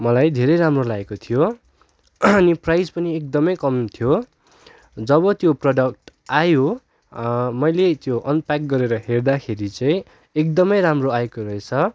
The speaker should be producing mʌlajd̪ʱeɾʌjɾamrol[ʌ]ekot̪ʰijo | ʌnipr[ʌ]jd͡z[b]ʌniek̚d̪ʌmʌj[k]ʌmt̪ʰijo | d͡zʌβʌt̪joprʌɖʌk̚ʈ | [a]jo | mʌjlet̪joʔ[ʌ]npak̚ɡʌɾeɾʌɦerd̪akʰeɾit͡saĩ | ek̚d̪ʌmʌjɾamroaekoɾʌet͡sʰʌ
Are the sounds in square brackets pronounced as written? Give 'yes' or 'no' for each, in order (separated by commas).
no, no, no, yes, yes, yes